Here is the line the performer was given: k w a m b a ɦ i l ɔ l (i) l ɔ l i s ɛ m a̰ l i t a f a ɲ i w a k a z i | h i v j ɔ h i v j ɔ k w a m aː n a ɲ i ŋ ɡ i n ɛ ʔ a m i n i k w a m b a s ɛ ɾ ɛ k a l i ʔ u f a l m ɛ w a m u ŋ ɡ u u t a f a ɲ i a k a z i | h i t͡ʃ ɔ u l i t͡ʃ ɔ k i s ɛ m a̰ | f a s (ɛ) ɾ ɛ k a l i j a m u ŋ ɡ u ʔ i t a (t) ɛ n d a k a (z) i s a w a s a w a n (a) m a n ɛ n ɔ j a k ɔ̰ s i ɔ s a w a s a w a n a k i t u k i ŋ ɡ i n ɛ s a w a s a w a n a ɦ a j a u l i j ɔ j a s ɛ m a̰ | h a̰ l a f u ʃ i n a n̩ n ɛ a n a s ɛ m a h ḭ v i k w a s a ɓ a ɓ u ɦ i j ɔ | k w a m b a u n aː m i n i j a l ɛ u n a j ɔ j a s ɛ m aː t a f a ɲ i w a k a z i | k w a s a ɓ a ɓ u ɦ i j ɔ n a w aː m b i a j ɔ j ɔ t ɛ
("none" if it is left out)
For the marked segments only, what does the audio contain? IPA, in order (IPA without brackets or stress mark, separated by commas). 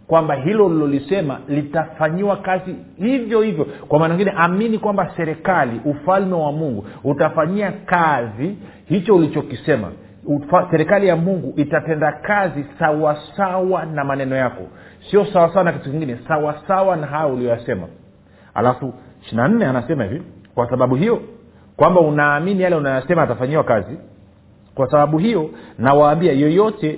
i, ɛ, t, z, a